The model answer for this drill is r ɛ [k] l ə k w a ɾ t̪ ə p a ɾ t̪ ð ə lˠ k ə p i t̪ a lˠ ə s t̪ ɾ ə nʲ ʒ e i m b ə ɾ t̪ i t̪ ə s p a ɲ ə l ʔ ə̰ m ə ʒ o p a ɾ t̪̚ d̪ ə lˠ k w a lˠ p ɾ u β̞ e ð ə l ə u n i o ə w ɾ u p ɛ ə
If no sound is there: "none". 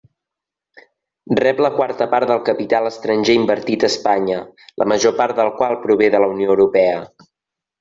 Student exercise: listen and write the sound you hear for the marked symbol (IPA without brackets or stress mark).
p